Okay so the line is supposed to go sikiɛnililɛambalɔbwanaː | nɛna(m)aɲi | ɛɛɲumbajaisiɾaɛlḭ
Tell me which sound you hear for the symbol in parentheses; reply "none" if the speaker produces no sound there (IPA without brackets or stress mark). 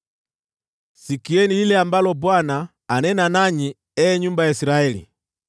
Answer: n